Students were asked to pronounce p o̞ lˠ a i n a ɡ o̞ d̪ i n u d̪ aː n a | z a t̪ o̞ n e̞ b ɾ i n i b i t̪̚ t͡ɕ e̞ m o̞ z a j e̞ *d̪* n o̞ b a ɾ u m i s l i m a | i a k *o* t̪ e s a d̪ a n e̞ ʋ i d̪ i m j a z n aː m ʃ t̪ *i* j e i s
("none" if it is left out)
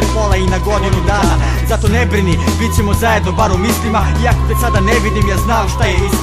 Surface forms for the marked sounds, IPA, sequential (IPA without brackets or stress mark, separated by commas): d̪, o, a